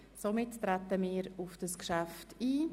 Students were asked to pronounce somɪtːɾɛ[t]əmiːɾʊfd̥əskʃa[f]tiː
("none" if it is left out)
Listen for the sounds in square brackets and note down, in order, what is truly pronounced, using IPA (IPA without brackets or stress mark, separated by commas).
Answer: t, f